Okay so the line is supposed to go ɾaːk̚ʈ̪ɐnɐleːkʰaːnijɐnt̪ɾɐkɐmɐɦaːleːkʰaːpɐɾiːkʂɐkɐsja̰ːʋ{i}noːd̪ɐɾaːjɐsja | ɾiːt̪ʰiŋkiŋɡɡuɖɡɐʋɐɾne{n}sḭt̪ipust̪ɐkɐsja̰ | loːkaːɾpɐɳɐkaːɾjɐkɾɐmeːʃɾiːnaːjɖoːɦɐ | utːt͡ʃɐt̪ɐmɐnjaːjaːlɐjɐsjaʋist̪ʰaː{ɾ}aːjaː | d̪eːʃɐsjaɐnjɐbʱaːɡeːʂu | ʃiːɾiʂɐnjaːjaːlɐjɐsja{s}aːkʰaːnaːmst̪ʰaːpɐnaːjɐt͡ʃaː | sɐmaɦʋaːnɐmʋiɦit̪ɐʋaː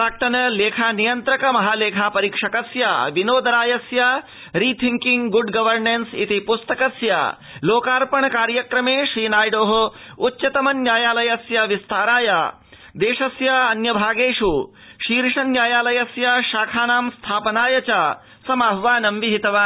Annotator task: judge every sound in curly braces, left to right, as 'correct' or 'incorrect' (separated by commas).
correct, correct, correct, incorrect